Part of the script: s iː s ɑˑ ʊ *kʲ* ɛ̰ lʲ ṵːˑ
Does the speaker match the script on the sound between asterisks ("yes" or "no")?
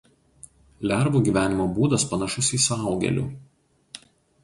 no